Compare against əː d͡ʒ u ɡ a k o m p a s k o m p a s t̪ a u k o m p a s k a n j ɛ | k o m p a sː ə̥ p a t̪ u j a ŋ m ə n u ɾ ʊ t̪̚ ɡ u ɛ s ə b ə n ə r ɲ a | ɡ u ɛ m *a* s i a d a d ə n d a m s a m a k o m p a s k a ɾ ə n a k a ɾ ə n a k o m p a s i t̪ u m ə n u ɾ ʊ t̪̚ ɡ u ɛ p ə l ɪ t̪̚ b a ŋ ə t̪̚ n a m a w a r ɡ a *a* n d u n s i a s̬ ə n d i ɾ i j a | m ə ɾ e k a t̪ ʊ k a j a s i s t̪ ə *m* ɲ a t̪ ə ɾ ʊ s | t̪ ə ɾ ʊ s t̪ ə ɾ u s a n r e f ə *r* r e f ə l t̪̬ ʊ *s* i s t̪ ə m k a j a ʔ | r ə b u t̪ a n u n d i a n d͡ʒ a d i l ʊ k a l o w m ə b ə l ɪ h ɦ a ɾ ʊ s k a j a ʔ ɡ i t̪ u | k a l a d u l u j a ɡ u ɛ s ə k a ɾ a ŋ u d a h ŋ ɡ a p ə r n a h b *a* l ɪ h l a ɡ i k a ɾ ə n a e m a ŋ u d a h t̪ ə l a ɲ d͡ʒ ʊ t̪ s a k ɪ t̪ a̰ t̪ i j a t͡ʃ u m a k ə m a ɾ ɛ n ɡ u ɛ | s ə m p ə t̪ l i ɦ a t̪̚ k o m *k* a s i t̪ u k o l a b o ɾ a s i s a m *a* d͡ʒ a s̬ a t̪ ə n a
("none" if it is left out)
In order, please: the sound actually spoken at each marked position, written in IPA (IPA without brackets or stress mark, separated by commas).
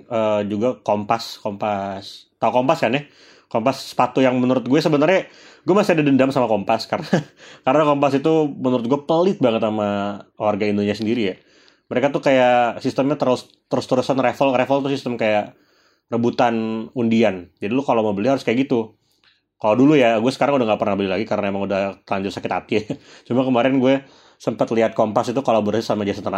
a, i, m, l, s, ə, p, a